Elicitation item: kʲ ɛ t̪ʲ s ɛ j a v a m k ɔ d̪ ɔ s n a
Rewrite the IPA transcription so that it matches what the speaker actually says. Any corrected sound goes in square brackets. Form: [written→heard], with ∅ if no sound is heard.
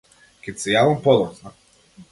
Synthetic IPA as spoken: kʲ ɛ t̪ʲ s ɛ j a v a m [k→p] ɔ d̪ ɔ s n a